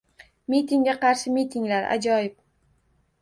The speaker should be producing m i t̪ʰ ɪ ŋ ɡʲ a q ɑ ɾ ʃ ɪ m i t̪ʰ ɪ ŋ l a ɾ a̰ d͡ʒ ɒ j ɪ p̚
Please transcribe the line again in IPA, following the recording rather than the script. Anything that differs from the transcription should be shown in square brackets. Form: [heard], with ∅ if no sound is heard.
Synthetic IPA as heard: m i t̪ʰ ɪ ŋ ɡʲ a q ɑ ɾ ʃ ɪ m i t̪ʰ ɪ ŋ l a ɾ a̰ d͡ʒ ɒ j ɪ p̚